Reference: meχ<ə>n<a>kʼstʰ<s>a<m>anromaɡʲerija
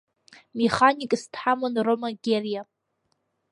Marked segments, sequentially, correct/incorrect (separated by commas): incorrect, incorrect, incorrect, correct